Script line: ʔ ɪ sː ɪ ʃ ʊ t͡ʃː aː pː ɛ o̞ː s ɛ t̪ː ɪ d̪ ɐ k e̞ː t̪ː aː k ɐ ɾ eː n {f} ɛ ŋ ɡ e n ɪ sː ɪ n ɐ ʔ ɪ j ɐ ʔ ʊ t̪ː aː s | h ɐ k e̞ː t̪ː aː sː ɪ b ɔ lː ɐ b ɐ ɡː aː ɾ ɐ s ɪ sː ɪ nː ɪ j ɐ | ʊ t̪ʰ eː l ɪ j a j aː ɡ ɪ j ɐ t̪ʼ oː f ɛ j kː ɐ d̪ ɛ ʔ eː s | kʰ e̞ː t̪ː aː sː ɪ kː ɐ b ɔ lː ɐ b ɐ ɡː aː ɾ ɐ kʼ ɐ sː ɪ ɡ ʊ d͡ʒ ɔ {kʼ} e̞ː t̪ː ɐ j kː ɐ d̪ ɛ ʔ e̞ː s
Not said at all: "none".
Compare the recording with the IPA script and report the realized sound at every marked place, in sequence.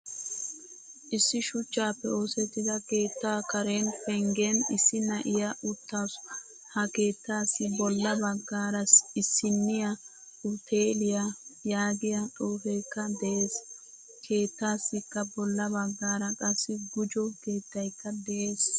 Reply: f, k

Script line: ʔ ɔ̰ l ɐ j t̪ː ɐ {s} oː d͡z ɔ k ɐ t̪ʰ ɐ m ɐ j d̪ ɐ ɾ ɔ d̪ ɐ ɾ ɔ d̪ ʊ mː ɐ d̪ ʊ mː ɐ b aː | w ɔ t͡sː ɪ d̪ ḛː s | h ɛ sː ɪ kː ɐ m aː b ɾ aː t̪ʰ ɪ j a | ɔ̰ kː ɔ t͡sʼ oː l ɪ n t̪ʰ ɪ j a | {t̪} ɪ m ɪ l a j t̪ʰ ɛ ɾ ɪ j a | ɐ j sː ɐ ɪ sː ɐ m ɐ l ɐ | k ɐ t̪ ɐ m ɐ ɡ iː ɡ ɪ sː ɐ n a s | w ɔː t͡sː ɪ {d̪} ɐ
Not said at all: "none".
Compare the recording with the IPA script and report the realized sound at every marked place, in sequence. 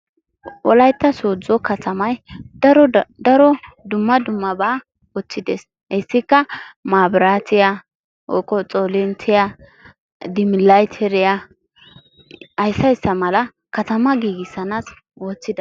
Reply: s, d̪, d̪

